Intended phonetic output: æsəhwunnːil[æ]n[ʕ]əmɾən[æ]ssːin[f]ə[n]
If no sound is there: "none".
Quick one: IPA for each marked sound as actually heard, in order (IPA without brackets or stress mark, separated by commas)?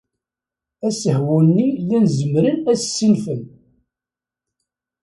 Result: æ, z, æ, f, n